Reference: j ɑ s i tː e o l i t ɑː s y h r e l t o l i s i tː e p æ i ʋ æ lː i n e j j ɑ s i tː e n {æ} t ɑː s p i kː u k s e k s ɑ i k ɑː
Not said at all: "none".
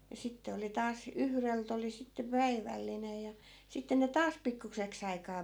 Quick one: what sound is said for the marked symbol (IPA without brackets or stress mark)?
e